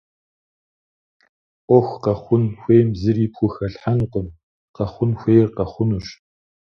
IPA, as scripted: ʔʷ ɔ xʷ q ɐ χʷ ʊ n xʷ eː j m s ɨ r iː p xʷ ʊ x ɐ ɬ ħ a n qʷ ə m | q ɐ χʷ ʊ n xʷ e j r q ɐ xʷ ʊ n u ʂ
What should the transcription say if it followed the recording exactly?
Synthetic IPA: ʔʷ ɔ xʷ q ɐ χʷ ʊ n xʷ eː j m z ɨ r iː p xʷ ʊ x ɐ ɬ ħ a n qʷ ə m | q ɐ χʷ ʊ n xʷ e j r q ɐ χʷ ʊ n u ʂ

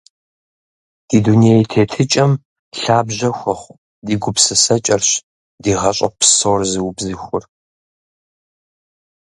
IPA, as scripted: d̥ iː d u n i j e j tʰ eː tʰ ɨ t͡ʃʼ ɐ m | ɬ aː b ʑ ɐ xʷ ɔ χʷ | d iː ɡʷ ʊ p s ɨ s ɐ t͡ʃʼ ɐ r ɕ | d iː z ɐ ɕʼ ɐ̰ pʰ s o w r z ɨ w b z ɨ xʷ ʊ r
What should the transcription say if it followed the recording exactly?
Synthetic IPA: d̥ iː d u n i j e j tʰ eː tʰ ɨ t͡ʃʼ ɐ m | ɬ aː b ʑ ɐ xʷ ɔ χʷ | d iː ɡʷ ʊ p s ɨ s ɐ t͡ʃʼ ɐ r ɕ | d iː ʁ ɐ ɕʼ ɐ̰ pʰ s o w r z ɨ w b z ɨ xʷ ʊ r

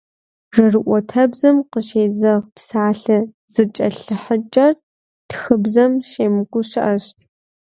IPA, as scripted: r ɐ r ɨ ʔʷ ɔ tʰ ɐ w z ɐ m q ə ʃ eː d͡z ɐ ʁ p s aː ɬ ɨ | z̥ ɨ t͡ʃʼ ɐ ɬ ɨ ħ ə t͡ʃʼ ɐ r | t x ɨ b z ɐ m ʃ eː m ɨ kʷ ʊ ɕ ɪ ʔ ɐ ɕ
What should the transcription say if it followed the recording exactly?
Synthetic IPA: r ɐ r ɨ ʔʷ ɔ tʰ ɐ b z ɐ m q ə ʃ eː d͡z ɐ ʁ p s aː ɬ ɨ | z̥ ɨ t͡ʃʼ ɐ ɬ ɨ ħ ə t͡ʃʼ ɐ r | t x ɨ b z ɐ m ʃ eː m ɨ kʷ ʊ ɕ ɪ ʔ ɐ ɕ

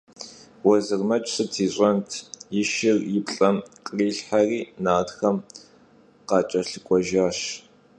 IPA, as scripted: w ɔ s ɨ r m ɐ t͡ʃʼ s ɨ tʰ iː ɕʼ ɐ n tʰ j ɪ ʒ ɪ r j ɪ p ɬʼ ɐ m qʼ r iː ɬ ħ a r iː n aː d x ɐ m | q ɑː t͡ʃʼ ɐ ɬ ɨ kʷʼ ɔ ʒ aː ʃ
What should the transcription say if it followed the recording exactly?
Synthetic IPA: w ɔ z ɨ r m ɐ t͡ʃʼ s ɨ tʰ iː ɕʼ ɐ n tʰ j ɪ ʃ ɪ r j ɪ p ɬʼ ɐ m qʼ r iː ɬ ħ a r iː n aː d x ɐ m | q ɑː t͡ʃʼ ɐ ɬ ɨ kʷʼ ɔ ʒ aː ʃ

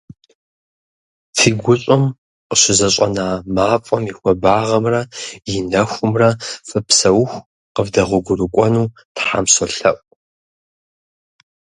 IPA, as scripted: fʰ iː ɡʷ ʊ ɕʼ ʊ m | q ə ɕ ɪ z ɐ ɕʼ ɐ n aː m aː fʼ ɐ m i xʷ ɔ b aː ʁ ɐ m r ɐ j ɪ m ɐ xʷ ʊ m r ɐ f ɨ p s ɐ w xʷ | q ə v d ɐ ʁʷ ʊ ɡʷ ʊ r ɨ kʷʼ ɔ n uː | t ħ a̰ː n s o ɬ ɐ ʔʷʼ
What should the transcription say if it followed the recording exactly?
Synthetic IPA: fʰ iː ɡʷ ʊ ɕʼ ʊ m | q ə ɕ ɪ z ɐ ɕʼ ɐ n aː m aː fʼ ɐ m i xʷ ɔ b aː ʁ ɐ m r ɐ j ɪ n ɐ xʷ ʊ m r ɐ f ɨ p s ɐ w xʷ | q ə v d ɐ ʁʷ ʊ ɡʷ ʊ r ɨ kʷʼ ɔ n uː | t ħ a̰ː m s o ɬ ɐ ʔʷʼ

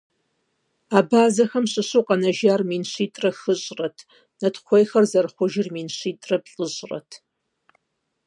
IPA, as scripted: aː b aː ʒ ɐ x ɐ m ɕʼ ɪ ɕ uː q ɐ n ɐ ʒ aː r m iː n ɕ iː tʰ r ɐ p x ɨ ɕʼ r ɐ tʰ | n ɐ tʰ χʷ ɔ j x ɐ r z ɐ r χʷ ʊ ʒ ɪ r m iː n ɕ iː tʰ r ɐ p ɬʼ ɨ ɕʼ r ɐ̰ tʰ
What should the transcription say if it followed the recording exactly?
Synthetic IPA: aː b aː z ɐ x ɐ m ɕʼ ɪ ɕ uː q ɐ n ɐ ʒ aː r m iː n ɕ iː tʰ r ɐ x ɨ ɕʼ r ɐ tʰ | n ɐ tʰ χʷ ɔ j x ɐ r z ɐ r χʷ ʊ ʒ ɪ r m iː n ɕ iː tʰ r ɐ p ɬʼ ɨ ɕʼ r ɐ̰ tʰ

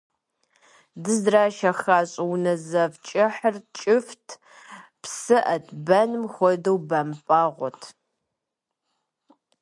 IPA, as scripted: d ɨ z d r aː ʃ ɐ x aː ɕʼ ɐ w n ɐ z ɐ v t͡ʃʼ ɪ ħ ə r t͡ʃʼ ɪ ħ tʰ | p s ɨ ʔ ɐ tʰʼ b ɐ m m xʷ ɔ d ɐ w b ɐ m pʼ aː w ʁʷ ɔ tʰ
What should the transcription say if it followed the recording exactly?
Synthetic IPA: d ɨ z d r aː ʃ ɐ x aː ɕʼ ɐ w n ɐ z ɐ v t͡ʃʼ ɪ ħ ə r t͡ʃʼ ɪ f tʰ | p s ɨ ʔ ɐ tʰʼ b ɐ n m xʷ ɔ d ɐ w b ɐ m pʼ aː ʁʷ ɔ tʰ

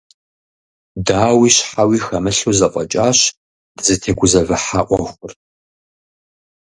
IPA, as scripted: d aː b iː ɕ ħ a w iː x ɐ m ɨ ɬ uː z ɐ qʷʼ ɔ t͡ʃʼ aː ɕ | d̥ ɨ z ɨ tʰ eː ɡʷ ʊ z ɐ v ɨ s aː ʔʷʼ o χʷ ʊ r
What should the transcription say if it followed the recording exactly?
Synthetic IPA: d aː w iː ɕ ħ a w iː x ɐ m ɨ ɬ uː z ɐ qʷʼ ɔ t͡ʃʼ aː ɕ | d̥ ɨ z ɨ tʰ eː ɡʷ ʊ z ɐ v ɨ ħ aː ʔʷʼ ɔ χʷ ʊ r

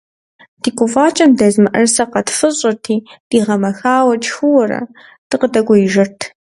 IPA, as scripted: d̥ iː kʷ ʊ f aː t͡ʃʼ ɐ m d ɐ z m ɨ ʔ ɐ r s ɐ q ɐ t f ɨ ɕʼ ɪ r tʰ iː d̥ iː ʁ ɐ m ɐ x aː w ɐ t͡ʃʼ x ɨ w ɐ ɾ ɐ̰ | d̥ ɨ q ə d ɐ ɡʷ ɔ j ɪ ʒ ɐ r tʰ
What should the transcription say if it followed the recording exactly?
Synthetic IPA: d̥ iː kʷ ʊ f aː t͡ʃʼ ɐ m d ɐ z m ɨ ʔ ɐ r s ɐ q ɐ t f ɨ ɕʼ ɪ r tʰ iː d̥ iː ʁ ɐ m ɐ x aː w ɐ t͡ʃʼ x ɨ w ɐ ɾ ɐ̰ | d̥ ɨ q ə d ɐ ɡʷ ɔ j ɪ ʒ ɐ r tʰ

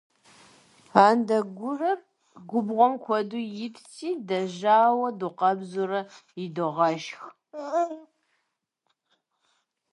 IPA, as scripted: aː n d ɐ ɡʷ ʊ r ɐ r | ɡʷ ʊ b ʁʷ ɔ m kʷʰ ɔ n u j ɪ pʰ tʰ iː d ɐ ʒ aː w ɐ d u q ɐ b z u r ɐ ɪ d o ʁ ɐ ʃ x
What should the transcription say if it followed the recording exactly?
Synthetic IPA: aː n d ɐ ɡʷ ʊ r ɐ r | ɡʷ ʊ b ʁʷ ɔ m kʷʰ ɔ d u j ɪ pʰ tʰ iː d ɐ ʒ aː w ɐ d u q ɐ b z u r ɐ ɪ d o ʁ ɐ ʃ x

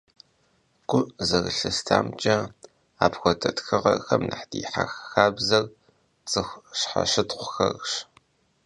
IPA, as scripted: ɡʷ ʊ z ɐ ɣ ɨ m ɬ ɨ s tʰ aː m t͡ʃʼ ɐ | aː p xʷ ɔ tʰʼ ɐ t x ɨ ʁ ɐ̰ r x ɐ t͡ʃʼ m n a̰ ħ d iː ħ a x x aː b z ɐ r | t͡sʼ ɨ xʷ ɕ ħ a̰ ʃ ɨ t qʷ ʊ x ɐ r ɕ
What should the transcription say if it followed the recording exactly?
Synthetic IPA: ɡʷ ʊ z ɐ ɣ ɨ ɬ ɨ s tʰ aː m t͡ʃʼ ɐ | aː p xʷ ɔ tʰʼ ɐ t x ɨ ʁ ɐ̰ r x ɐ m n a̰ ħ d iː ħ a x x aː b z ɐ r | t͡sʼ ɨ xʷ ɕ ħ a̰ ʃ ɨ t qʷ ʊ x ɐ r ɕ

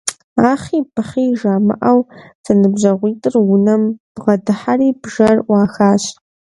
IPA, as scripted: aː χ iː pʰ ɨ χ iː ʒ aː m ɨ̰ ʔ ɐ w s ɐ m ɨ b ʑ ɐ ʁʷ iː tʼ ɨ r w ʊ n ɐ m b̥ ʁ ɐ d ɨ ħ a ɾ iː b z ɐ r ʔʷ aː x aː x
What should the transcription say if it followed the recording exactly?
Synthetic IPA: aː χ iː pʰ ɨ χ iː ʒ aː m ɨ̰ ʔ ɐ w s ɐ n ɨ b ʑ ɐ ʁʷ iː tʼ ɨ r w ʊ n ɐ m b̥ ʁ ɐ d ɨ ħ a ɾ iː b ʒ ɐ r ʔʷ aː x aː ɕ

